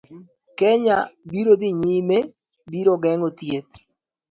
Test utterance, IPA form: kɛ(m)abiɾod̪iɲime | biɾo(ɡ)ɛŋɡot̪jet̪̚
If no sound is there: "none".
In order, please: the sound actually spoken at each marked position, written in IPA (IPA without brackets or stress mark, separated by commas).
ɲ, ɡ